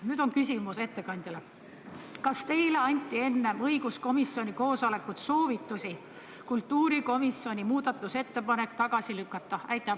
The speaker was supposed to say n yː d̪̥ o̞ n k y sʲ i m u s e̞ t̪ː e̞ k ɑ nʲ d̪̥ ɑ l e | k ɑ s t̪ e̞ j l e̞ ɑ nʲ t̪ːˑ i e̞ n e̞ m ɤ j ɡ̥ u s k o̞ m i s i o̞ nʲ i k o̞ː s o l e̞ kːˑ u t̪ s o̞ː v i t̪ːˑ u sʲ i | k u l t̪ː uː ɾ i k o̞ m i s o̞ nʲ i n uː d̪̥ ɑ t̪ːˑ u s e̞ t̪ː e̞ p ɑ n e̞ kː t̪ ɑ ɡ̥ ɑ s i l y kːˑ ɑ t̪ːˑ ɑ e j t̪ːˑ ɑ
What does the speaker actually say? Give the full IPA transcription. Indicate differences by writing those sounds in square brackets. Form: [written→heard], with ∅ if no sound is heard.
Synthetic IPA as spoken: n yː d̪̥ o̞ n k y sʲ i m u s e̞ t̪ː e̞ k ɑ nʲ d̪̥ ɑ l e | k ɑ s t̪ e̞ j l e̞ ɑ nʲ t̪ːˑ i e̞ [n→nː] e̞ m ɤ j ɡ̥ u s k o̞ m i s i o̞ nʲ i k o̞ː s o l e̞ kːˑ u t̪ s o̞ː v i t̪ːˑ u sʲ i | k u l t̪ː uː ɾ i k o̞ m i s o̞ nʲ i [n→m] uː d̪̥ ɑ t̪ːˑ u s e̞ t̪ː e̞ p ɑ n e̞ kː t̪ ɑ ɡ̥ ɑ s i l y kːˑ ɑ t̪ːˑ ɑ [e→æ] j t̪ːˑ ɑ